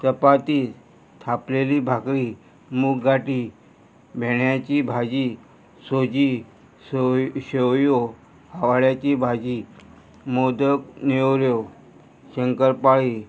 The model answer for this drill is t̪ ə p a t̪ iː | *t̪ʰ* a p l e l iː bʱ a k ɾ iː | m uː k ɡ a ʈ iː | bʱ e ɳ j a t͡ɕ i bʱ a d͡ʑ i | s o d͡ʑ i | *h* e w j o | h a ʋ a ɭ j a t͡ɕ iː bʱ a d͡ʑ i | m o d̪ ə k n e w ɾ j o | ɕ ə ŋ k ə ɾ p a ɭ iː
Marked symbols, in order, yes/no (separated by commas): yes, no